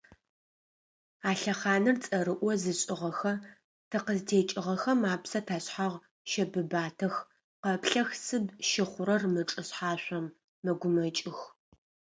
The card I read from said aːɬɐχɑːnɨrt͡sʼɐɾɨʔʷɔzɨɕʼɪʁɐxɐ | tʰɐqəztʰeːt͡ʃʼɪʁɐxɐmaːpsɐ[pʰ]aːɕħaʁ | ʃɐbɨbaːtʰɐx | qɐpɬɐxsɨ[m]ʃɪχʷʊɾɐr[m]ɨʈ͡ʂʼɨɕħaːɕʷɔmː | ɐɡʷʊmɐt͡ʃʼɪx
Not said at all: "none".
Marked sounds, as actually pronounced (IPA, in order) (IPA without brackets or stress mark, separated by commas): tʰ, b, m